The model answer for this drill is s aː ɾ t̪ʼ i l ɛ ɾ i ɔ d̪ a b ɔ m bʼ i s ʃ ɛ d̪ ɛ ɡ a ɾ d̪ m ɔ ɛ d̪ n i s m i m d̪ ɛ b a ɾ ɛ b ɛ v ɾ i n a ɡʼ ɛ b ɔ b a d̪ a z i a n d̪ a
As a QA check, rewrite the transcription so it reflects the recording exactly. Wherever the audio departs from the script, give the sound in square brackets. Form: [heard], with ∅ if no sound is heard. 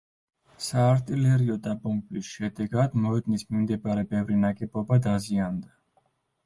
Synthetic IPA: s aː ɾ t̪ʼ i l ɛ ɾ i ɔ d̪ a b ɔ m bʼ i s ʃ ɛ d̪ ɛ ɡ a [∅] d̪ m ɔ ɛ d̪ n i s m i m d̪ ɛ b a ɾ ɛ b ɛ v ɾ i n a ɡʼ ɛ b ɔ b a d̪ a z i a n d̪ a